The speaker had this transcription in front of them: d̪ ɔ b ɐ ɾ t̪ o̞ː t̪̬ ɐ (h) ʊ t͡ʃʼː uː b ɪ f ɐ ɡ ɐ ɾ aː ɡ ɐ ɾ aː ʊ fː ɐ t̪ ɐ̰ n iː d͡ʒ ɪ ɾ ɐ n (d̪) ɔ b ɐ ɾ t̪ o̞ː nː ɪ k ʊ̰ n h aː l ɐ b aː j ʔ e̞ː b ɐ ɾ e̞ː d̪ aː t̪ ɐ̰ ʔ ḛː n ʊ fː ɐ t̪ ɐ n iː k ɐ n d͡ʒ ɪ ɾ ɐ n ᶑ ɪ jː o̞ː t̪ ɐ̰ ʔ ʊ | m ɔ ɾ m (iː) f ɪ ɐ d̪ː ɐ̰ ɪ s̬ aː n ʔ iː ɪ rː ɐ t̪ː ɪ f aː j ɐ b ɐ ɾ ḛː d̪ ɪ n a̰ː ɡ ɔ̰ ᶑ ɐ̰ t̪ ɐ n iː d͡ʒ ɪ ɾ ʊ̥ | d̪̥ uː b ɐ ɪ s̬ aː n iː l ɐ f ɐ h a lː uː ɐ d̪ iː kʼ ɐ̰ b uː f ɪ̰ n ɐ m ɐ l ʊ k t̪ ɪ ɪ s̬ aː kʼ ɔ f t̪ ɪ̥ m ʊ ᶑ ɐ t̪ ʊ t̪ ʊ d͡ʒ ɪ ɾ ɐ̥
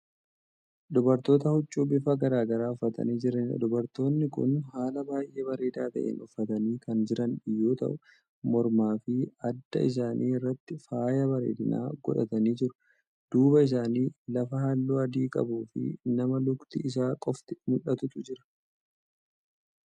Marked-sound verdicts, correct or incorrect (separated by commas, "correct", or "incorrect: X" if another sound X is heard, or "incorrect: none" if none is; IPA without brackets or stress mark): correct, correct, incorrect: aː